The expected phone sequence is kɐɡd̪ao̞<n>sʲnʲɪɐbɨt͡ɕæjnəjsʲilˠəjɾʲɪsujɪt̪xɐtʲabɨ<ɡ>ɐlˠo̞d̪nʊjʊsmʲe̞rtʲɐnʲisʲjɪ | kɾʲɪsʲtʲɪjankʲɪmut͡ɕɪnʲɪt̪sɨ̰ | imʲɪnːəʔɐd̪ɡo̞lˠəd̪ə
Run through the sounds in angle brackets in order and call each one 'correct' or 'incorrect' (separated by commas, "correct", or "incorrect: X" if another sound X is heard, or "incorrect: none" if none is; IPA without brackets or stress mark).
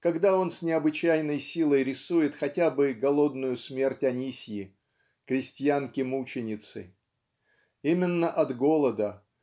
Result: correct, correct